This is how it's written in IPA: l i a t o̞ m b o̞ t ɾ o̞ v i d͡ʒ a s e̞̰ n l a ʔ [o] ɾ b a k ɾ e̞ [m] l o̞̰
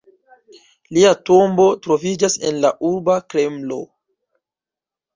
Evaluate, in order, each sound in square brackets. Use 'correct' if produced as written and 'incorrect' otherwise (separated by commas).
incorrect, correct